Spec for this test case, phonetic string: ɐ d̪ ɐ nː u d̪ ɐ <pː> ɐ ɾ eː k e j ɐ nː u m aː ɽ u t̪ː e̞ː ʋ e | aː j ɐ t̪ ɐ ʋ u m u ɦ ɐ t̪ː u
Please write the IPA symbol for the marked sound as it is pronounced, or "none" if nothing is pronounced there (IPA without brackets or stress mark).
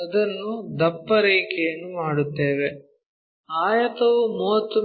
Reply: pː